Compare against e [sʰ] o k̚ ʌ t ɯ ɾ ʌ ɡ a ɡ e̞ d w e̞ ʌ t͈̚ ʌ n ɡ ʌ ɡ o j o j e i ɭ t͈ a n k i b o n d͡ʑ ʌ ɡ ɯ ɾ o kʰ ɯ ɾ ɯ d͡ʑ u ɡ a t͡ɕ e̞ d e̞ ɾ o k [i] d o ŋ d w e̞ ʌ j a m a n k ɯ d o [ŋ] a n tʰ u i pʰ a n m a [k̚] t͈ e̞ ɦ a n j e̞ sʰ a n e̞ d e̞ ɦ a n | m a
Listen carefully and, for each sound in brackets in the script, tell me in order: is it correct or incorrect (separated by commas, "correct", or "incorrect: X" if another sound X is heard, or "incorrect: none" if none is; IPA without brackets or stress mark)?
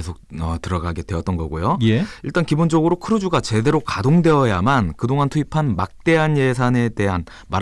correct, incorrect: a, correct, correct